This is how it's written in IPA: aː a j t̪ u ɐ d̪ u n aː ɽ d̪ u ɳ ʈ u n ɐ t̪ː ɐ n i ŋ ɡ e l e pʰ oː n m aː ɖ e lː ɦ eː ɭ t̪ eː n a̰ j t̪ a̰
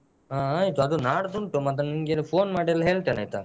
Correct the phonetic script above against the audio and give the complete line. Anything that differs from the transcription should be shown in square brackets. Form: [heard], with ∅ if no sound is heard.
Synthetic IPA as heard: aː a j t̪ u ɐ d̪ u n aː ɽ d̪ u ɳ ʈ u [m] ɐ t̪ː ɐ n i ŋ ɡ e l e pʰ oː n m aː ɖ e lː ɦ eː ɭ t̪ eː n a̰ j t̪ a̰